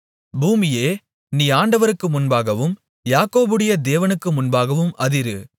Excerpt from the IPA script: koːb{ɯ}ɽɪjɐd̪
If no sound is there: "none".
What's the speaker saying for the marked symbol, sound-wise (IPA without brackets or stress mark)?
ɯ